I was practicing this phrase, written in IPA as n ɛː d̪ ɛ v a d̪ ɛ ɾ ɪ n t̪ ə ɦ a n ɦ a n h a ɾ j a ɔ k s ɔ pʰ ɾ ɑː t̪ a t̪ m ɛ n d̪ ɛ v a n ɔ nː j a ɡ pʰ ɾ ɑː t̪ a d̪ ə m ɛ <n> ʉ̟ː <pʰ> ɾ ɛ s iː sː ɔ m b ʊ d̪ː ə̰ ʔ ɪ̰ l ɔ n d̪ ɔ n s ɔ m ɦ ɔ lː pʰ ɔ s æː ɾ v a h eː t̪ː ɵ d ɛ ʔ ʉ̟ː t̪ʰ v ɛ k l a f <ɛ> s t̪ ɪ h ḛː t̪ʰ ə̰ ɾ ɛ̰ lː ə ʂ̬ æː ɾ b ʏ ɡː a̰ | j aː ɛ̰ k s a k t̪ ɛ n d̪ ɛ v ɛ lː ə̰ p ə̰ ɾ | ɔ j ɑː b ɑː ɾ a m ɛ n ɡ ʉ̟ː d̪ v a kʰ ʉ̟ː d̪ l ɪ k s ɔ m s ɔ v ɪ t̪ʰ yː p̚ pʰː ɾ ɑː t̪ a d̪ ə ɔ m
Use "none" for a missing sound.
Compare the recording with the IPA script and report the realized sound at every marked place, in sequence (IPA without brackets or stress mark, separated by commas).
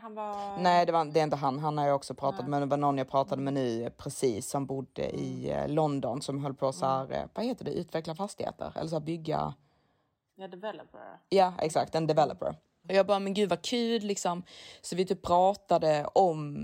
n, pʰ, a